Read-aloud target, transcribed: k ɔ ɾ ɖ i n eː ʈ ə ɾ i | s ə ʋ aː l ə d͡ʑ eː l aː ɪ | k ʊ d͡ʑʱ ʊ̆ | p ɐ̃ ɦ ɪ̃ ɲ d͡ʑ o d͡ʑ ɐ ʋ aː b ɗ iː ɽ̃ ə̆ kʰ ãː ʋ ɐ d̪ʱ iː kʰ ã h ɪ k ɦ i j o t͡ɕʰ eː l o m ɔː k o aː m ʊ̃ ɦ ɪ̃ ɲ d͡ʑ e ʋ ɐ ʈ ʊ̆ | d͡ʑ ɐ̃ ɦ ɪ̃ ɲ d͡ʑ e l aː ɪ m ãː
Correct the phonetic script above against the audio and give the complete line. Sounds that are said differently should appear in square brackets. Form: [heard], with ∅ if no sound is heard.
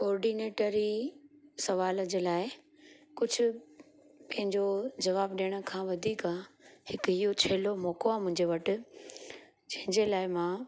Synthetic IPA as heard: k [ɔː] ɾ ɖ i n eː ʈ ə ɾ i | s [ɐ] ʋ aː l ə d͡ʑ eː l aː ɪ | k ʊ d͡ʑʱ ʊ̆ | p ɐ̃ ɦ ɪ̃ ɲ d͡ʑ o d͡ʑ ɐ ʋ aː b ɗ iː ɽ̃ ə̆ kʰ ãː ʋ ɐ d̪ʱ iː [k] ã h ɪ k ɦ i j o t͡ɕʰ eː l o m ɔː k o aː m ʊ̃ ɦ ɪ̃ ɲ d͡ʑ e ʋ ɐ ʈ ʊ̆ | d͡ʑ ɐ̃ ɦ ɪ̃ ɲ d͡ʑ e l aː ɪ m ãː